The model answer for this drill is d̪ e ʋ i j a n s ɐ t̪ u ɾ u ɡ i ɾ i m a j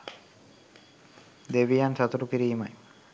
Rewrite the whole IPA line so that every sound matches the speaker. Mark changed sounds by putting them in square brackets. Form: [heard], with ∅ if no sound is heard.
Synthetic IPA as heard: d̪ e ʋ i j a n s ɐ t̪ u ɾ u [k] i ɾ [iː] m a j